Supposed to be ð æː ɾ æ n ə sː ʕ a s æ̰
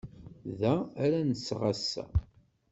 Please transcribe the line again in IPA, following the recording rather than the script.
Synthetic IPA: ð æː ɾ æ n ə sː ʁ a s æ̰